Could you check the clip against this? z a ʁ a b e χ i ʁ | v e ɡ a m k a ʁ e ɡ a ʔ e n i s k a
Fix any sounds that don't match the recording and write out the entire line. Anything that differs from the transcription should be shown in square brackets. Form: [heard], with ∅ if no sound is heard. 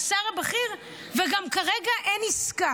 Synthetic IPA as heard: [s] a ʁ a b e χ i ʁ | v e ɡ a m k a ʁ e ɡ a ʔ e n i s k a

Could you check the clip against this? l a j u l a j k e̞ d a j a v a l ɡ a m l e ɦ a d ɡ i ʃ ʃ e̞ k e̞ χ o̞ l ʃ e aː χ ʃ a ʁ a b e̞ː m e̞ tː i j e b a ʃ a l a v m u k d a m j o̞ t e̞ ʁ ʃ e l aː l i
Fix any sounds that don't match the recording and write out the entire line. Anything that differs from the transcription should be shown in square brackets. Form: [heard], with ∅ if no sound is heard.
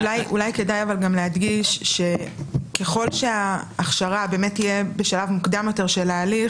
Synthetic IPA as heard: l a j u l a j k e̞ d a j a v a l ɡ a m l e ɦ a d ɡ i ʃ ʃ e̞ k e̞ χ o̞ l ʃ e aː χ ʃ a ʁ a b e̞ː m e̞ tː i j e b [e] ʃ a l a v m u k d a m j o̞ t e̞ ʁ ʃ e l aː l i

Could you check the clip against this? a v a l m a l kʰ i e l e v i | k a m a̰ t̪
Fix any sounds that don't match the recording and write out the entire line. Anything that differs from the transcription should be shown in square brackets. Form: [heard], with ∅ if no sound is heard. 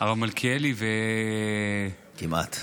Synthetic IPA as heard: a v a l m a l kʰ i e l [i] v [e] | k [i] m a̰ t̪

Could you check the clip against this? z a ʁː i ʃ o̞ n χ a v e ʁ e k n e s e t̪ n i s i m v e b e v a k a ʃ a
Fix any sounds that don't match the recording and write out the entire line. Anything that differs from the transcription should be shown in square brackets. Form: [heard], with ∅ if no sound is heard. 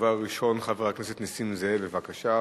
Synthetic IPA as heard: [v] a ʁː i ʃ o̞ n χ a v e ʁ [a] k n e s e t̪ n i s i m [z] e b e v a k a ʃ a

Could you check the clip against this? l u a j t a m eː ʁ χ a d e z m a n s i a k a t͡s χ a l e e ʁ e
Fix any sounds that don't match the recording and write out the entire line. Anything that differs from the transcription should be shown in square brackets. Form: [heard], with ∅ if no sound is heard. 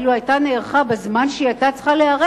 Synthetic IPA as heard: l u a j t a [n] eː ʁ χ a [b] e z m a n [ʃ] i a [t] a t͡s χ a l e [a] ʁ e

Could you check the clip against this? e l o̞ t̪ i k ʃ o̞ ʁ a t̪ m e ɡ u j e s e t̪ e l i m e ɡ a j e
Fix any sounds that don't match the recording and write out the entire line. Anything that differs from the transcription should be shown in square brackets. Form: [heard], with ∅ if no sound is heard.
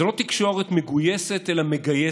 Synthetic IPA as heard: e l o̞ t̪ i k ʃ o̞ ʁ [e] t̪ m e ɡ u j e s e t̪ e l [a] m e ɡ a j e

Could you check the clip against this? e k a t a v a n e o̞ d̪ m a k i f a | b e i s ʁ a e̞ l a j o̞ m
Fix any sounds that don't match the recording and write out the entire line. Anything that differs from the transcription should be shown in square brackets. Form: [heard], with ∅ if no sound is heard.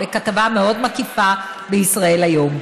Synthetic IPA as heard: e k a t a v a [m] e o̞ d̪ m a k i f a | b e i s ʁ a e̞ l a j o̞ m

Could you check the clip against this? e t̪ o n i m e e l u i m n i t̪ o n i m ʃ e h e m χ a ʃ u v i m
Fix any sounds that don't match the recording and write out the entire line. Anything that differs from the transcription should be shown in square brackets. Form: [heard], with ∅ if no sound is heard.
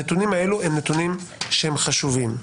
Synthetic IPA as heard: e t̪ [u] n i m [a] e l u [e] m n [e] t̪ [u] n i m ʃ e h e m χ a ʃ u v i m

